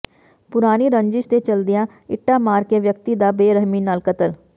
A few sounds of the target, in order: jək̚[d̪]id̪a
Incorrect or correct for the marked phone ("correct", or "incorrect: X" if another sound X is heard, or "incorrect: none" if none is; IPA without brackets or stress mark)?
incorrect: t̪